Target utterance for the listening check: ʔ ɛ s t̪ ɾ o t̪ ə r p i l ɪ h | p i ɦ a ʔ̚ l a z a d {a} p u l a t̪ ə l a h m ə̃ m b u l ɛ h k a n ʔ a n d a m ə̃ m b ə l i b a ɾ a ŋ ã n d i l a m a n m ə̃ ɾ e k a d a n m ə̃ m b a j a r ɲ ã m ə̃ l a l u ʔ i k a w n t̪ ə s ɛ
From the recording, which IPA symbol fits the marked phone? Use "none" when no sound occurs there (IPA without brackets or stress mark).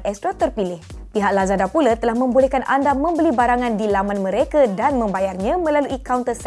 a